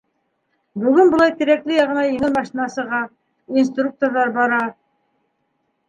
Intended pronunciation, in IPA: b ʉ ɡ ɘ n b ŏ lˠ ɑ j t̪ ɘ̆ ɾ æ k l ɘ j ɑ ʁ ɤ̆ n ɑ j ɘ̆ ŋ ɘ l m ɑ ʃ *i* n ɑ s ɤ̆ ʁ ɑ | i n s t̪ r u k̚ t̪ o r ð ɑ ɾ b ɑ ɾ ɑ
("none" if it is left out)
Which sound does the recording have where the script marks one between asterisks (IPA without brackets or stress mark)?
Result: i